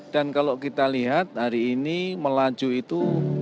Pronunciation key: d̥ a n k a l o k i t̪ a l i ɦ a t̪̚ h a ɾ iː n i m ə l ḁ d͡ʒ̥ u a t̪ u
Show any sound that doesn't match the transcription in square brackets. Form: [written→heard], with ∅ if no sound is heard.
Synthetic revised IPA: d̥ a n k a l o k i t̪ a l i ɦ a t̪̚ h a ɾ iː n i m ə l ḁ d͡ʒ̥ u [a→i] t̪ u